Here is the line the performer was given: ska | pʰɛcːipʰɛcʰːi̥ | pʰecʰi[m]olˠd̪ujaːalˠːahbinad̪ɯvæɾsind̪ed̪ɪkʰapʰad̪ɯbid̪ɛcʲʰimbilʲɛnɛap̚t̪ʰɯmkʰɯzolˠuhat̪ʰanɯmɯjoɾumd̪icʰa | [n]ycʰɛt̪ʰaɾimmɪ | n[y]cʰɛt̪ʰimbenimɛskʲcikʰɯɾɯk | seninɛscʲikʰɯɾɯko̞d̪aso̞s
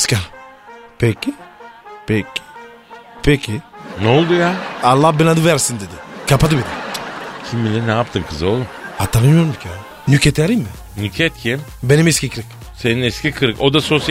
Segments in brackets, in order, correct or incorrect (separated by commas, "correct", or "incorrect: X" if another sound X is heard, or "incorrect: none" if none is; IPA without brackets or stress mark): incorrect: n, correct, correct